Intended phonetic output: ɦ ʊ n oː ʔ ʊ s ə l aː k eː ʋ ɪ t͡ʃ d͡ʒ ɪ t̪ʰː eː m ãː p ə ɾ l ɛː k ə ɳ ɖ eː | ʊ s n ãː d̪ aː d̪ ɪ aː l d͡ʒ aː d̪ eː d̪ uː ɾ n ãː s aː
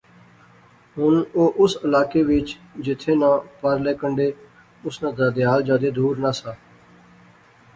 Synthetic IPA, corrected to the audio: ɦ ʊ n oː ʔ ʊ s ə l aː k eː ʋ ɪ t͡ʃ d͡ʒ ɪ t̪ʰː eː n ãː p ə ɾ l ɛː k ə ɳ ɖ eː | ʊ s n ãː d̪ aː d̪ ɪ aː l d͡ʒ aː d̪ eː d̪ uː ɾ n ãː s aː

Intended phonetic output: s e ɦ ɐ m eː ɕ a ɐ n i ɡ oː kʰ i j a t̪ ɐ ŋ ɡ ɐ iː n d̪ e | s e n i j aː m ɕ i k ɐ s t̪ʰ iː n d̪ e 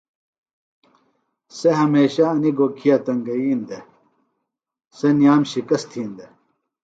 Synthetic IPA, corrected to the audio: s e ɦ ɐ m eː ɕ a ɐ n i ɡ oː kʰ i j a t̪ ɐ ŋ ɡ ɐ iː n d̪ e | s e n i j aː m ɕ i k ɐ s t̪ʰ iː n d̪ e

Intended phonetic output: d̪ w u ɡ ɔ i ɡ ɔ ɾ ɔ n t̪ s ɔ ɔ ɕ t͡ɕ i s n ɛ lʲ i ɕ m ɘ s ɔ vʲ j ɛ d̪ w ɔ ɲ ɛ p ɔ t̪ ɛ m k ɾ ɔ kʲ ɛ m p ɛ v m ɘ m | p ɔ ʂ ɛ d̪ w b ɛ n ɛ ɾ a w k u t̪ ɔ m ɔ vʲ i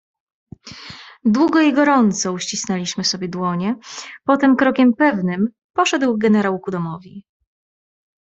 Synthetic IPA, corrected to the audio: d̪ w u ɡ ɔ i ɡ ɔ ɾ ɔ n t̪ s ɔ u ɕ t͡ɕ i s n ɛ lʲ i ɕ m ɘ s ɔ bʲ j ɛ d̪ w ɔ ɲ ɛ p ɔ t̪ ɛ m k ɾ ɔ kʲ ɛ m p ɛ v n ɘ m | p ɔ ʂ ɛ d̪ w ɡ ɛ n ɛ ɾ a w k u d̪ ɔ m ɔ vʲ i

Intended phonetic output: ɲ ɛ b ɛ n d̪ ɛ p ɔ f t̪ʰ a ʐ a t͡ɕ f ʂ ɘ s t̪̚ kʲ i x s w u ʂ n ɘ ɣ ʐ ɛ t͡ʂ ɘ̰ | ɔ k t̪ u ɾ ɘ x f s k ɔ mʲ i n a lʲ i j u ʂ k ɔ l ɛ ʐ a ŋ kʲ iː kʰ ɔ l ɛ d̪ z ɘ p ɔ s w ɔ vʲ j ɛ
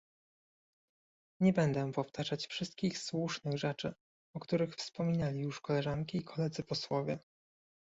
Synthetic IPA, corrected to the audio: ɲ ɛ b ɛ n d̪ ɛ p ɔ f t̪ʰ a ʐ a t͡ɕ f ʂ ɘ s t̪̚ kʲ i x s w u ʂ n ɘ ɣ ʐ ɛ t͡ʂ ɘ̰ | ɔ k t̪ u ɾ ɘ x f s p ɔ mʲ i n a lʲ i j u ʂ k ɔ l ɛ ʐ a ŋ kʲ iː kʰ ɔ l ɛ d̪ z ɘ p ɔ s w ɔ vʲ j ɛ

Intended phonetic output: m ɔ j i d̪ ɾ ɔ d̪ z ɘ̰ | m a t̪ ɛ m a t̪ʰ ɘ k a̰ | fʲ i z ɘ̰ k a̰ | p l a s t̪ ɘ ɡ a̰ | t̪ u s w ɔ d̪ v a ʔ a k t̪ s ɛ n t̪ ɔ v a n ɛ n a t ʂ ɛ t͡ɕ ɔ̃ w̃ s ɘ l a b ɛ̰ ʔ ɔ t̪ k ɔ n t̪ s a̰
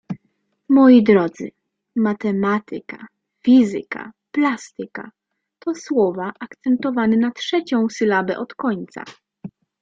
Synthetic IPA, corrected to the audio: m ɔ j i d̪ ɾ ɔ d̪ z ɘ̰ | m a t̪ ɛ m a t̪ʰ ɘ k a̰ | fʲ i z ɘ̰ k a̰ | p l a s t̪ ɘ k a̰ | t̪ ɔ s w ɔ v a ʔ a k t̪ s ɛ n t̪ ɔ v a n ɛ n a t ʂ ɛ t͡ɕ ɔ̃ w̃ s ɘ l a b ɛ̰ ʔ ɔ t̪ k ɔ ɲ t̪ s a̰

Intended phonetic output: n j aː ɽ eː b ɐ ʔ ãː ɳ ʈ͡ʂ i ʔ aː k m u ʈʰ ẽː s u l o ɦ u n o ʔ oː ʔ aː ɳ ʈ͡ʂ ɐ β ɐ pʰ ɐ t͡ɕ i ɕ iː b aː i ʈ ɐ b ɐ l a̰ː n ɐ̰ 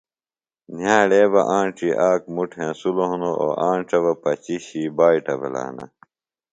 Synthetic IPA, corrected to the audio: n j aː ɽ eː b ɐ ʔ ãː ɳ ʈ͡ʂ i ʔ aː k m u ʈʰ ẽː s u l o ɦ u n o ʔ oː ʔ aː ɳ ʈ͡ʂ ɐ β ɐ p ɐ t͡ɕ i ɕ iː b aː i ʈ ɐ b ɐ l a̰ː n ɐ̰

